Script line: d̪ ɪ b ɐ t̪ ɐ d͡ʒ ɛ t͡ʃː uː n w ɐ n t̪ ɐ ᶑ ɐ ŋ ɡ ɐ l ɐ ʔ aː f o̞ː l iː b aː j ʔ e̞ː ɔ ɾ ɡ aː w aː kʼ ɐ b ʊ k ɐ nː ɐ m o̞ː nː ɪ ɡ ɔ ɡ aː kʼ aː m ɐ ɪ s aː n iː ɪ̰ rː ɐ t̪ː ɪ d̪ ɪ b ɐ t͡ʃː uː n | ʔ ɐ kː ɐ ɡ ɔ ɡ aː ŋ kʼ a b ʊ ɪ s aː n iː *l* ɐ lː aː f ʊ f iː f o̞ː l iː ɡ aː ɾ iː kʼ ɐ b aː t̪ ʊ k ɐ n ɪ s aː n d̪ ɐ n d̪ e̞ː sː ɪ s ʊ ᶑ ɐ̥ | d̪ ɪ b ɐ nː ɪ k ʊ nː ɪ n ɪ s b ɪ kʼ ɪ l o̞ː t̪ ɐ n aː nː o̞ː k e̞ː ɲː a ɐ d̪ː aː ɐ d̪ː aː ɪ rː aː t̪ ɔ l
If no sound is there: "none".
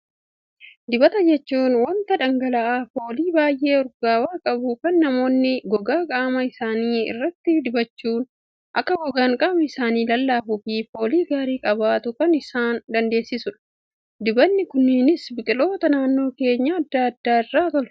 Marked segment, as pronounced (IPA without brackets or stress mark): l